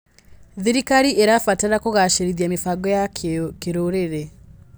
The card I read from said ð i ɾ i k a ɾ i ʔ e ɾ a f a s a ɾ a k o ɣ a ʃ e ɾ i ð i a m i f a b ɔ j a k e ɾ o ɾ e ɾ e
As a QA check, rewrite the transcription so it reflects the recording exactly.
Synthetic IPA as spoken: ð i ɾ i k a ɾ i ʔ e ɾ a f a t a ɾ a k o ɣ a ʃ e ɾ i ð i a m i f a ɡ ɔ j a k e ɾ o ɾ e ɾ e